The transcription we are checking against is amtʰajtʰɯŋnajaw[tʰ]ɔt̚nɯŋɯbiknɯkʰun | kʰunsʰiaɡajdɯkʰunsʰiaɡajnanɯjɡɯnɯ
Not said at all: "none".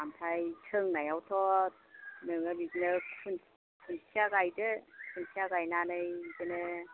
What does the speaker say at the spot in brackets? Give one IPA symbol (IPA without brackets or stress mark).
tʰ